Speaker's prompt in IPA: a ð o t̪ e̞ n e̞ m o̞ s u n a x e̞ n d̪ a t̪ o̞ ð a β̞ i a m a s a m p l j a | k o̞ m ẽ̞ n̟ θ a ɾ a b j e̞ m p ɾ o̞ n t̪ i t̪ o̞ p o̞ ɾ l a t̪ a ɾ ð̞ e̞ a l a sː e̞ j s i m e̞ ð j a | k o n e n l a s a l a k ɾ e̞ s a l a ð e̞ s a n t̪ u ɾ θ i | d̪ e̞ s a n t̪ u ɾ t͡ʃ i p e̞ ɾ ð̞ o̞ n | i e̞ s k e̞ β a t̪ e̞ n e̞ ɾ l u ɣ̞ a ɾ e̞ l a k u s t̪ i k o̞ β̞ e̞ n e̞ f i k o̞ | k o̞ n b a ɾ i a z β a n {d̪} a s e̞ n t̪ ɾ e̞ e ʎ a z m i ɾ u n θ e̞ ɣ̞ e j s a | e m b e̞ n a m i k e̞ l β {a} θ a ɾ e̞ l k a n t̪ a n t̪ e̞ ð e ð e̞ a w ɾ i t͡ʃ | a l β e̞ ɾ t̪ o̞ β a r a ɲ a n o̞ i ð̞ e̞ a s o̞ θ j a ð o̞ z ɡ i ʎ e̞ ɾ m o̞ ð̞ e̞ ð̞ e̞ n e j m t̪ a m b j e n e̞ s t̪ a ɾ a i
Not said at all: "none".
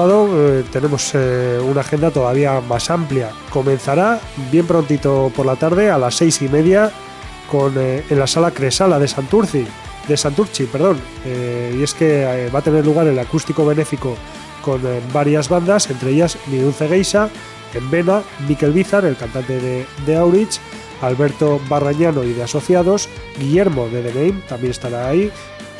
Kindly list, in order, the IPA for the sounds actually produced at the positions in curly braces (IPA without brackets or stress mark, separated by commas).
d̪, i